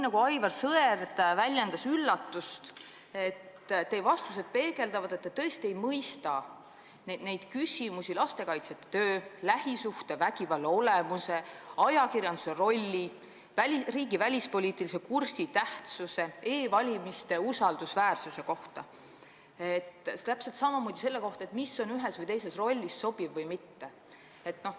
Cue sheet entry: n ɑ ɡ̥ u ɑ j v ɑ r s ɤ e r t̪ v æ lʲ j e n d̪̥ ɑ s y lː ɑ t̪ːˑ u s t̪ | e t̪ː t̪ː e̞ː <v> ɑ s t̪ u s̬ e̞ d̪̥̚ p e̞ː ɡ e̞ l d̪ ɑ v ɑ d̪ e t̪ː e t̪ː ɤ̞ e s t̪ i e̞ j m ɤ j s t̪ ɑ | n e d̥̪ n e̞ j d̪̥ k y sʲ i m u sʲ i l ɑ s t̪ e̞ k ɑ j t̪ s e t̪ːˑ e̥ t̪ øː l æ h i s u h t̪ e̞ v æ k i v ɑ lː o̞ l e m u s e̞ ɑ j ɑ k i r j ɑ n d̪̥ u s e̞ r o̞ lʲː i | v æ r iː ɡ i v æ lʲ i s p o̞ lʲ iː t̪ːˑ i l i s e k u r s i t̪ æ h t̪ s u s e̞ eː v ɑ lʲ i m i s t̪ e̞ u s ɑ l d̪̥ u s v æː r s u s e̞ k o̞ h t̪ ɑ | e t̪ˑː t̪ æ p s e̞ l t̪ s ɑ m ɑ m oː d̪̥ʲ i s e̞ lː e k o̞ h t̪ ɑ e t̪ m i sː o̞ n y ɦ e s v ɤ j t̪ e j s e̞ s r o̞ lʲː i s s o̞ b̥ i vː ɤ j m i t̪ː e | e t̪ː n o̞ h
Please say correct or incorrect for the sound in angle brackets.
correct